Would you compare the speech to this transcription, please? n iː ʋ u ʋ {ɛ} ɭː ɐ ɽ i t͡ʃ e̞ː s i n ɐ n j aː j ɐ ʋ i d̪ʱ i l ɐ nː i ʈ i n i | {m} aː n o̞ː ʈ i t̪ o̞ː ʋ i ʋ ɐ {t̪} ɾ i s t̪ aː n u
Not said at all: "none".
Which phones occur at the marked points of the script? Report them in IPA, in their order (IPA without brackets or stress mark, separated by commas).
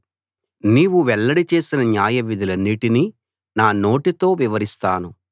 ɛ, n, none